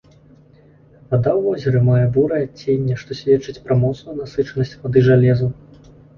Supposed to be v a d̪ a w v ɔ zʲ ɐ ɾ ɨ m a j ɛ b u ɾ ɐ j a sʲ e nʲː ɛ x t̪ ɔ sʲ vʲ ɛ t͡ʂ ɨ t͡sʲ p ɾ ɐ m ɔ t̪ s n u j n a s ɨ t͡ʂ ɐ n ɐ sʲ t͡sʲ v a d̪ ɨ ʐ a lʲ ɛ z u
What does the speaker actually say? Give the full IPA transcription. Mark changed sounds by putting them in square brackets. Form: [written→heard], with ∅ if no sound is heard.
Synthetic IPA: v a d̪ a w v ɔ zʲ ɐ ɾ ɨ m a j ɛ b u ɾ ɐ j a [sʲ→t͡sʲ] e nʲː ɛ [x→ʂ] t̪ ɔ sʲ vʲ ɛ t͡ʂ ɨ t͡sʲ p ɾ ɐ m ɔ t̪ s n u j n a s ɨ t͡ʂ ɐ n ɐ sʲ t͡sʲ v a d̪ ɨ ʐ a lʲ ɛ z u